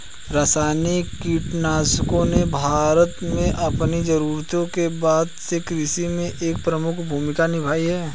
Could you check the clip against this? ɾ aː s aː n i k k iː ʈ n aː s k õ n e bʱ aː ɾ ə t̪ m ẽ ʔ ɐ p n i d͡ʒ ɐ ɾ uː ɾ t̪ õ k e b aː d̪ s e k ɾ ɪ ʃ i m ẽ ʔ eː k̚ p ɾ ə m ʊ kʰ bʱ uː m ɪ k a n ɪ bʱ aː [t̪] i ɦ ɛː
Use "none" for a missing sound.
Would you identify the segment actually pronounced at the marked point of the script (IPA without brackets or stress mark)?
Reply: none